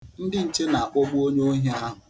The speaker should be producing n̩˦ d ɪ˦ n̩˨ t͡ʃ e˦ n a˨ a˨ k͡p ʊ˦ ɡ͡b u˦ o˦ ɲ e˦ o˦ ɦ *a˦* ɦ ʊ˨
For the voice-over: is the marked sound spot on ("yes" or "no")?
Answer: yes